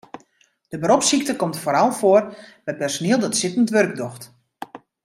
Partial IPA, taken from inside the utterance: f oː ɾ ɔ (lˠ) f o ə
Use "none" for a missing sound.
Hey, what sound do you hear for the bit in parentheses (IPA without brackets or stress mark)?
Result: lˠ